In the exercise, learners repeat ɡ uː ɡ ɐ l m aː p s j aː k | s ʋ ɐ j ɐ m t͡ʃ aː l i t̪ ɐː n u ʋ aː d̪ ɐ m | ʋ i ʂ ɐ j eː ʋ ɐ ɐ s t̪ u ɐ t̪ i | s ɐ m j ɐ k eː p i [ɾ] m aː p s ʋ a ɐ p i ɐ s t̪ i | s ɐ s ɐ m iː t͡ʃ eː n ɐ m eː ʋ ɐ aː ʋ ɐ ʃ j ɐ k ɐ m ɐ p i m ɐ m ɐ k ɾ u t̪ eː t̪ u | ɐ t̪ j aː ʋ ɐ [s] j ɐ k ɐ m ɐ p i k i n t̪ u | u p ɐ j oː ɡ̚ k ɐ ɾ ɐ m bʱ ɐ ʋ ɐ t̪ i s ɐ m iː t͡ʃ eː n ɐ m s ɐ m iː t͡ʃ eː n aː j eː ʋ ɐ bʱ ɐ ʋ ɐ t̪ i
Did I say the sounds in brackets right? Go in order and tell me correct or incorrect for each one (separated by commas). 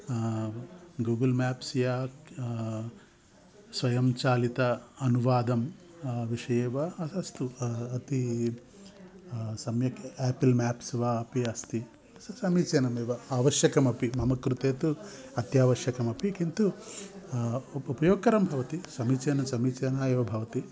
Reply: incorrect, incorrect